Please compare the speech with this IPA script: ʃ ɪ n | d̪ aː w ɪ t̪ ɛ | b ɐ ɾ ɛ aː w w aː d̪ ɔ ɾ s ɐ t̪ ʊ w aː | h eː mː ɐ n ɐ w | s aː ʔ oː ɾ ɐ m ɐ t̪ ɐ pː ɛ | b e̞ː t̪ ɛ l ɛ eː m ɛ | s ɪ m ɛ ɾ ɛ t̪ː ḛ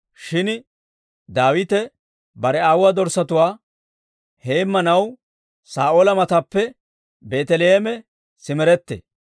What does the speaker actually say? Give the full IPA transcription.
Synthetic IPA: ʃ ɪ n | d̪ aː w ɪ t̪ ɛ | b ɐ ɾ ɛ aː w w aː d̪ ɔ ɾ s ɐ t̪ ʊ w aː | h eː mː ɐ n ɐ w | s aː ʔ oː l ɐ m ɐ t̪ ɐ pː ɛ | b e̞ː t̪ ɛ l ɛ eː m ɛ | s ɪ m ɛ ɾ ɛ t̪ː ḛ